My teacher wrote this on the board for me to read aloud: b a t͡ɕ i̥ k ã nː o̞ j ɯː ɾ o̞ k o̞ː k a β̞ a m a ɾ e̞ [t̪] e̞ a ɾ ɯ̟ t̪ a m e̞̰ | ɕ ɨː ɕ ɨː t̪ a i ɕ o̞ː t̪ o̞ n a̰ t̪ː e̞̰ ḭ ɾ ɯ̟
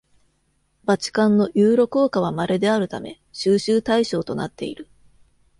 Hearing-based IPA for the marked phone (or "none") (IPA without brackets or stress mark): d̪